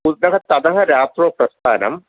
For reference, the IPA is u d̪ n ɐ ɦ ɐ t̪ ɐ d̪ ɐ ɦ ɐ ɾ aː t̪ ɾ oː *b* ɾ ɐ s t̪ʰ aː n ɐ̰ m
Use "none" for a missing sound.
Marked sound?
p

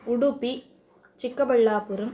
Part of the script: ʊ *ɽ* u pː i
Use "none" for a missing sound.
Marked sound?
ɽ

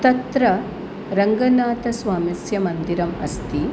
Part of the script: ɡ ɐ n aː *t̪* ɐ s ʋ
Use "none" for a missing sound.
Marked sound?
t̪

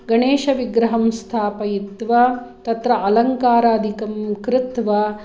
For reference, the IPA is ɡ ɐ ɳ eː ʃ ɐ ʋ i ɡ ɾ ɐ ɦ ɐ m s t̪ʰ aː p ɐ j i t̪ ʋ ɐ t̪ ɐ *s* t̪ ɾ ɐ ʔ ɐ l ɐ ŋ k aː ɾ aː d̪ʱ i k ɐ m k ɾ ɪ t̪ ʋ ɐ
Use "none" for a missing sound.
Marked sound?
none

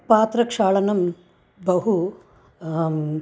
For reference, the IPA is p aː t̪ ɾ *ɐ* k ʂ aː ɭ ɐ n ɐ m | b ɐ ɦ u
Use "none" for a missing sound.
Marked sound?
ɐ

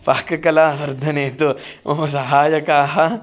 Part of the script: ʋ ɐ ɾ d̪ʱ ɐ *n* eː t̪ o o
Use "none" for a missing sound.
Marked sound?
n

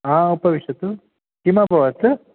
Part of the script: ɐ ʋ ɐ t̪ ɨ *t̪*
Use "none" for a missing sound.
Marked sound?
none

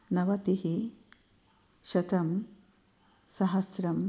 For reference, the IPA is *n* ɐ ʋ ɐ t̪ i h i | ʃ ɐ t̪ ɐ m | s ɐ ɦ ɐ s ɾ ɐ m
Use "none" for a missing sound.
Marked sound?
n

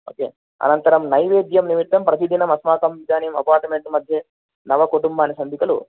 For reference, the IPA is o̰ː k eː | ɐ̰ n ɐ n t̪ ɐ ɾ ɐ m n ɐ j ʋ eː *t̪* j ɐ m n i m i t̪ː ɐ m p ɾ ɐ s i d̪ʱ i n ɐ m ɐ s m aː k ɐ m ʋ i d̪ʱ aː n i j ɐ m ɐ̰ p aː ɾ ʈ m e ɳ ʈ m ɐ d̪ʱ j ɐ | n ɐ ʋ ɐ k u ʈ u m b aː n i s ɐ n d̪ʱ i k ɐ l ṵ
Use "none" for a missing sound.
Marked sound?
d̪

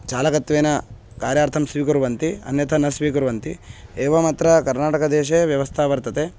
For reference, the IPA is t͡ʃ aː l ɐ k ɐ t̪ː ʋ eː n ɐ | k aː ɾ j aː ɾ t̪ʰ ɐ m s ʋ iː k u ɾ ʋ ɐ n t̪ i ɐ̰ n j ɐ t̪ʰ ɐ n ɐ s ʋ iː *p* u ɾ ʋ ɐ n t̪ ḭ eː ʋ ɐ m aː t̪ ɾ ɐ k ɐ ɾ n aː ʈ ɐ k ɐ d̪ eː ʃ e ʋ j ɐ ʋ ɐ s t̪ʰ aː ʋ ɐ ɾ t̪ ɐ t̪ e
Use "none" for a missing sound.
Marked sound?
k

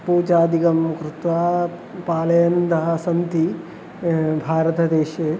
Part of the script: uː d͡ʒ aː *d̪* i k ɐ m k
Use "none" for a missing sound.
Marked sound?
d̪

